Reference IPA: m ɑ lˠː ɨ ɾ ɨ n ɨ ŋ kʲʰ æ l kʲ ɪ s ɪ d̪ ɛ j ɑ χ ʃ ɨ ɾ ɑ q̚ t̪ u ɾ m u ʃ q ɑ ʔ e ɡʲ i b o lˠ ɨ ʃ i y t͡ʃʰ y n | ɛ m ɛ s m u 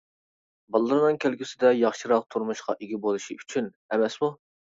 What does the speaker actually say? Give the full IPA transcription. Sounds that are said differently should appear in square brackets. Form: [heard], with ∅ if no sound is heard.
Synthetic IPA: [b] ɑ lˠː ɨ ɾ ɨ n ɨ ŋ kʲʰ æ l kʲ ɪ s ɪ d̪ ɛ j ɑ χ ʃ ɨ ɾ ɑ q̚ [t̪ʰ] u ɾ m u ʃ q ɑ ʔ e ɡʲ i b o lˠ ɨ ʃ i y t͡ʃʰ y n | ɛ m ɛ s m u